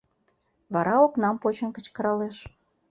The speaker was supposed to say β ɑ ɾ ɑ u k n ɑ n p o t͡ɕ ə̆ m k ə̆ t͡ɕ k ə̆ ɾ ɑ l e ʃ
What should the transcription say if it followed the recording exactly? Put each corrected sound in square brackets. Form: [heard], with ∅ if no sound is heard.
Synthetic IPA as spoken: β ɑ ɾ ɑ [o] k n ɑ [m] p o t͡ɕ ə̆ [n] k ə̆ t͡ɕ k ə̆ ɾ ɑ l e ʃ